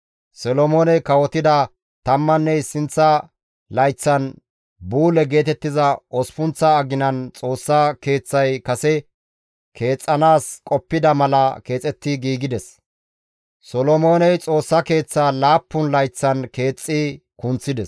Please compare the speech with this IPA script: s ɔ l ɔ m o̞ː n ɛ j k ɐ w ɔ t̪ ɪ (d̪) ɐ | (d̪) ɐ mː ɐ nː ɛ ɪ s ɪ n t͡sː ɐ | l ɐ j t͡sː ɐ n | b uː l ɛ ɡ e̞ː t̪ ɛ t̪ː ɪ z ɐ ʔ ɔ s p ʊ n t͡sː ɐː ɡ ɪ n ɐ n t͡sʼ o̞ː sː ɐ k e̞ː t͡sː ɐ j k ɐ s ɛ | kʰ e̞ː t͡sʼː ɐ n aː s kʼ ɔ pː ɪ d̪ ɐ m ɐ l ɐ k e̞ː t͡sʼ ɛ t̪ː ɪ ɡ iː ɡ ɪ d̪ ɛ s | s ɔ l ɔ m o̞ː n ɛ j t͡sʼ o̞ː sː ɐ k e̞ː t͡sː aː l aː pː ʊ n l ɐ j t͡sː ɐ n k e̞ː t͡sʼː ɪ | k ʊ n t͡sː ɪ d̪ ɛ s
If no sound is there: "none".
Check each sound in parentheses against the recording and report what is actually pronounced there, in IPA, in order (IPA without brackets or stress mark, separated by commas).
d̪, t̪